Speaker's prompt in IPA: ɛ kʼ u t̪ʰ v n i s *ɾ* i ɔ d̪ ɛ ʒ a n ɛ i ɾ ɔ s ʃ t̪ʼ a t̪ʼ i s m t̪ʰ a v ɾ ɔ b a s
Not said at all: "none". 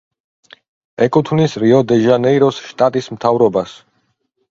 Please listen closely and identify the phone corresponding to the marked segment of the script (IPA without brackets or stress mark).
ɾ